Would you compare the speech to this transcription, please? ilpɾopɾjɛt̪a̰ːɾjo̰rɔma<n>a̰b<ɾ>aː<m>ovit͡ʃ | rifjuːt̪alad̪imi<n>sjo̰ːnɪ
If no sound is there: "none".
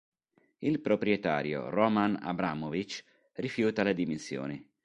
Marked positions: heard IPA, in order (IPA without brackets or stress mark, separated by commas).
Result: n, ɾ, m, n